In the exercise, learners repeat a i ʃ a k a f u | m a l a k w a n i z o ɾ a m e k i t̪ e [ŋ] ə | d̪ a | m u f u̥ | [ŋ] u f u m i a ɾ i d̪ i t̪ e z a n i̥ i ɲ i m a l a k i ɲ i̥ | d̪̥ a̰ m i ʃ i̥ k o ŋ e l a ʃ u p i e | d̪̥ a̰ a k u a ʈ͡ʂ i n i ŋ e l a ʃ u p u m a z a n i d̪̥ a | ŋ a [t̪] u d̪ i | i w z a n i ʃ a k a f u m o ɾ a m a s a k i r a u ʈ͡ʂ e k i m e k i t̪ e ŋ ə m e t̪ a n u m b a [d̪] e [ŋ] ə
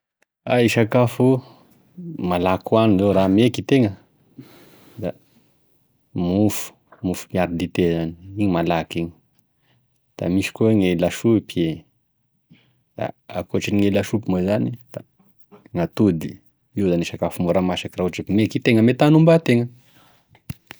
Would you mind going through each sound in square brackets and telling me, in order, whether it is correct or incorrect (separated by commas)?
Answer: correct, incorrect, correct, incorrect, correct